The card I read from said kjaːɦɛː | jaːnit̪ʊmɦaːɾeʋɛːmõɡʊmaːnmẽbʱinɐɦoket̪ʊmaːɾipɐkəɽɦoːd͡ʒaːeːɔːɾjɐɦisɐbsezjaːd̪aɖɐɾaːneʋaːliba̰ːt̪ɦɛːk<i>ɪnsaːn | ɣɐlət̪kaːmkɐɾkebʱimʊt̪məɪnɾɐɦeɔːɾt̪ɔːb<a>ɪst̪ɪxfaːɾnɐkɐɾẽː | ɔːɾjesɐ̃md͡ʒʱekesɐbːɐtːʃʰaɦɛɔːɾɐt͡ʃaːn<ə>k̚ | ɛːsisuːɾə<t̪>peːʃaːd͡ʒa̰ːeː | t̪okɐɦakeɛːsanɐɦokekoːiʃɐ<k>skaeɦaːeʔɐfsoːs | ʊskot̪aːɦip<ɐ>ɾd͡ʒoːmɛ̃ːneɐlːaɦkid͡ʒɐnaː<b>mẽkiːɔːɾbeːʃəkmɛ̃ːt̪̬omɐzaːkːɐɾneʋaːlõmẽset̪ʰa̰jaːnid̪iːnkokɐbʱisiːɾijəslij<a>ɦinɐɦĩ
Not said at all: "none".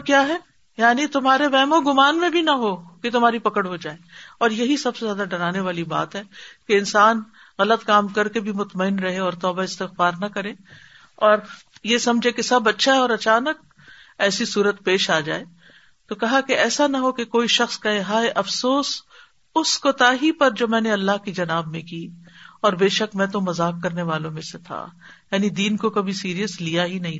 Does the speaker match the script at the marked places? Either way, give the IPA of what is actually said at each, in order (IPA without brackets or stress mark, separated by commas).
e, a, ə, t̪, x, ɐ, b, a